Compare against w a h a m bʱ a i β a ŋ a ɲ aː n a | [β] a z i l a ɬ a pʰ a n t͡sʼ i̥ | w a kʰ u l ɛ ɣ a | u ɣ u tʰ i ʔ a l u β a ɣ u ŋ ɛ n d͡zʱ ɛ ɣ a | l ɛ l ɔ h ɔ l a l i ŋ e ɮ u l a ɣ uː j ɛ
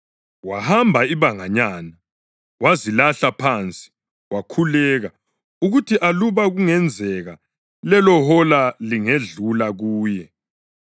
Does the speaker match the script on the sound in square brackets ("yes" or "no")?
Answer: no